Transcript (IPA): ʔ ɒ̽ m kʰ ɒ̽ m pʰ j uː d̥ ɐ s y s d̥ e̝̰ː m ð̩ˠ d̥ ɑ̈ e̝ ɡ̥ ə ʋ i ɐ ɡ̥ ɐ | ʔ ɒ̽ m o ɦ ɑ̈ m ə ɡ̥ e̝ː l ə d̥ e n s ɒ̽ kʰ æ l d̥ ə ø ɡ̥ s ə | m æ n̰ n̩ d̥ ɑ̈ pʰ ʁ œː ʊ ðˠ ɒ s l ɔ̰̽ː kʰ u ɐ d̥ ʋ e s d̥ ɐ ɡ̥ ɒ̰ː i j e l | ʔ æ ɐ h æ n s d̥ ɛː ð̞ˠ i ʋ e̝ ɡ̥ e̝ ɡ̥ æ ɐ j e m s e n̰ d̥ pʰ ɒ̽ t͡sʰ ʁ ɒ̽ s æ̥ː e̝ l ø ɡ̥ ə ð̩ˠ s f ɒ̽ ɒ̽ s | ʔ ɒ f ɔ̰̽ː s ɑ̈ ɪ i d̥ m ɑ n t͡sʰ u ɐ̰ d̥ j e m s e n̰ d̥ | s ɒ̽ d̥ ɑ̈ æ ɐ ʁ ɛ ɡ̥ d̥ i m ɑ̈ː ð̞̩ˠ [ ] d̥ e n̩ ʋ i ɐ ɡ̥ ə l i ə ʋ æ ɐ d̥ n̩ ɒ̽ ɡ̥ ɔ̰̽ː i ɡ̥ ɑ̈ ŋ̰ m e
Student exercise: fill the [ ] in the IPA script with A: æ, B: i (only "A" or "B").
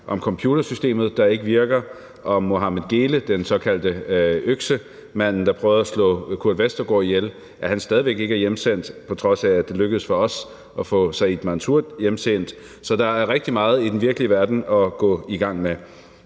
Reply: B